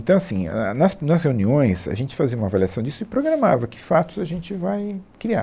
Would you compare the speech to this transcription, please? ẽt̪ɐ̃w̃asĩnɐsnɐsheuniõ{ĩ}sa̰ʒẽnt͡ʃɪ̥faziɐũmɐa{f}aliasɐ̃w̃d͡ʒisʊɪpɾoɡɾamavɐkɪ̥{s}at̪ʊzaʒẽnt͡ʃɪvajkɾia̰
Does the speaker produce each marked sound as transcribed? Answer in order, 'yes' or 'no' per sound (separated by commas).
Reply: no, no, no